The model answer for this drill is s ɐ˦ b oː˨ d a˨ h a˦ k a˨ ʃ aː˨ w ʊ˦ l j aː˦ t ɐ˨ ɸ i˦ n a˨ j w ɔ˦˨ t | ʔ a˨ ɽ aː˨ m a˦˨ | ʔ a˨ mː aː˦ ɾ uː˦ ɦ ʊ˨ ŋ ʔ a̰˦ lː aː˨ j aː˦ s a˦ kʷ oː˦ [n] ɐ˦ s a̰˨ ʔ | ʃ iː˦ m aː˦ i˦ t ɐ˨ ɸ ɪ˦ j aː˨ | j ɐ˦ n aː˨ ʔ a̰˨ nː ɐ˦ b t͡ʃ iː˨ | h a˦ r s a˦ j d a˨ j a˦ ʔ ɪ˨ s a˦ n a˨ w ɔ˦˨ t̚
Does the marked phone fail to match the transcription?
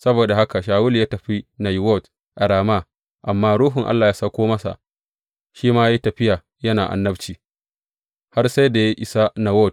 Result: yes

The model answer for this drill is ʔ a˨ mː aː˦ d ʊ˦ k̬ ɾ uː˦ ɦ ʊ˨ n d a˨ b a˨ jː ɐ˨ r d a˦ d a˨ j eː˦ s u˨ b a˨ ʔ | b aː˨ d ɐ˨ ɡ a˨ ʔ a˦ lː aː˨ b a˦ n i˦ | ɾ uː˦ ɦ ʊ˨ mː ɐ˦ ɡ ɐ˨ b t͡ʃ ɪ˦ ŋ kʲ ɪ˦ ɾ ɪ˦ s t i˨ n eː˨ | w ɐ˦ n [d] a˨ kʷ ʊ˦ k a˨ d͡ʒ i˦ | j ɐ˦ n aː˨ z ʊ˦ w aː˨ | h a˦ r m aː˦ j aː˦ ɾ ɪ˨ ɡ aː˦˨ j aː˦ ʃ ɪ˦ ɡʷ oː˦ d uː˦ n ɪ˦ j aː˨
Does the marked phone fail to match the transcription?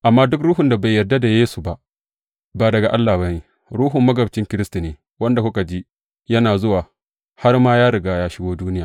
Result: no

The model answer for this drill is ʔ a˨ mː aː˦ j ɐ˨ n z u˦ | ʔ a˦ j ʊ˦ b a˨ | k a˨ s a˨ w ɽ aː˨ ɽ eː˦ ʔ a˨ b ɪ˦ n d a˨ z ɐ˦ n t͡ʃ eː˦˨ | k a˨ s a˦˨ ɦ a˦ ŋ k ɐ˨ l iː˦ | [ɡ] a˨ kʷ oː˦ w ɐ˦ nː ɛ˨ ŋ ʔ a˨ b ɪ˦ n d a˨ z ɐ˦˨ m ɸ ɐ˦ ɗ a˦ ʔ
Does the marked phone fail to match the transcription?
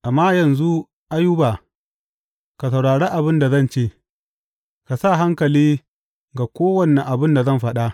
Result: no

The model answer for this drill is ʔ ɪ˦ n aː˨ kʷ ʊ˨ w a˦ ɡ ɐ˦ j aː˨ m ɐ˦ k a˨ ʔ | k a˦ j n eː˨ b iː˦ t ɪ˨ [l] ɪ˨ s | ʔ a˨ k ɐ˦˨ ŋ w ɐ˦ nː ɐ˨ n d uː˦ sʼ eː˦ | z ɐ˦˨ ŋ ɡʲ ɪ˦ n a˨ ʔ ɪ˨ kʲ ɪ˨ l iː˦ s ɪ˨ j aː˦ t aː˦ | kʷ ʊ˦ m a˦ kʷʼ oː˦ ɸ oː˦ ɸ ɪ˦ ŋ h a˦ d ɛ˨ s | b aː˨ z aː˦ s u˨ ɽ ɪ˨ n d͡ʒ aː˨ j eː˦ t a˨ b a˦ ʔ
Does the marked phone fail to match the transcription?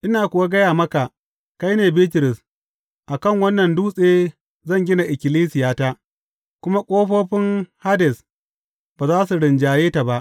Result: yes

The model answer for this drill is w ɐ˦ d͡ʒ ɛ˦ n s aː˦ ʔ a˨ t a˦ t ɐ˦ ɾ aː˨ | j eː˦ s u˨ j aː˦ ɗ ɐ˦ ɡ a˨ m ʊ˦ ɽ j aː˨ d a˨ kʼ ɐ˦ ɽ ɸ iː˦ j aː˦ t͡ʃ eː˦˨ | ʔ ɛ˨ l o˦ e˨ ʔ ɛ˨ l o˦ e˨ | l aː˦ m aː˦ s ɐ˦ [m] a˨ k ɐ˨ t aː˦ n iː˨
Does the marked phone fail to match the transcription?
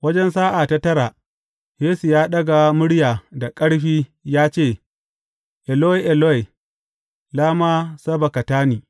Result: yes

